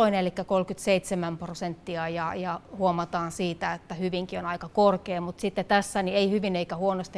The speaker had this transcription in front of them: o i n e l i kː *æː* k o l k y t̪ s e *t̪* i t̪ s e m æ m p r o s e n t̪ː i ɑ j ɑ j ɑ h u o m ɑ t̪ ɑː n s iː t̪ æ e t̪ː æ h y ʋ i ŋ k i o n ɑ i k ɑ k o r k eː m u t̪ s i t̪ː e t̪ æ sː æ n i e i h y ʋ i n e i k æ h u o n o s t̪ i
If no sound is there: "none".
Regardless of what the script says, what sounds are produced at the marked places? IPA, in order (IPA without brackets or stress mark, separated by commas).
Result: æ, none